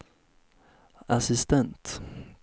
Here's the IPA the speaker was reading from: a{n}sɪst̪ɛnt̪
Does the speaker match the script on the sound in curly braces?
no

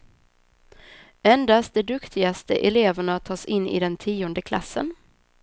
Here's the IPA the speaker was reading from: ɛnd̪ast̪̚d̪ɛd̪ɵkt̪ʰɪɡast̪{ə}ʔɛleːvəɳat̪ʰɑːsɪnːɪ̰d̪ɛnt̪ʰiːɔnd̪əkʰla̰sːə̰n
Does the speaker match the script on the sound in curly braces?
yes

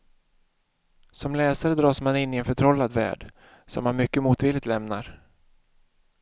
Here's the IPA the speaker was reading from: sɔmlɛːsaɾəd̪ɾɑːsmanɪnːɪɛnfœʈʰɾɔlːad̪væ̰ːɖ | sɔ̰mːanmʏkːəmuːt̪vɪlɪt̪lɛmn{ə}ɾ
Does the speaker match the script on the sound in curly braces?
no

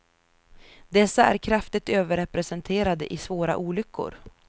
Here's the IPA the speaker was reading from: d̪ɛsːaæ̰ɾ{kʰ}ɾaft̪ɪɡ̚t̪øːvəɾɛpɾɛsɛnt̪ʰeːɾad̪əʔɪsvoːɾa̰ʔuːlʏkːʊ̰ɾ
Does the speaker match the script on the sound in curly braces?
yes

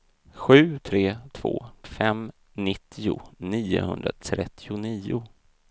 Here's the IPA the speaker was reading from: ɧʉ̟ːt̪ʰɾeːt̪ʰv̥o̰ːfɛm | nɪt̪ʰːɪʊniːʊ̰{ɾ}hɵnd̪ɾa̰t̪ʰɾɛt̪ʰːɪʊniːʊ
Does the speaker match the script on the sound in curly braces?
no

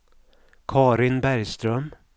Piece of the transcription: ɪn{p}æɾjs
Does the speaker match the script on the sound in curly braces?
no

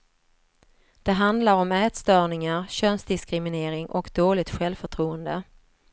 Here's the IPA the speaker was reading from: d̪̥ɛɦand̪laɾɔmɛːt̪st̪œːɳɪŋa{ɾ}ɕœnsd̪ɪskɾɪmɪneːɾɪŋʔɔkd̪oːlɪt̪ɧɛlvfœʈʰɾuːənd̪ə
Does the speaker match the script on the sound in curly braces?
yes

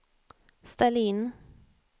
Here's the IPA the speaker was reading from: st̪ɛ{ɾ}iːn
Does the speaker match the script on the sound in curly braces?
no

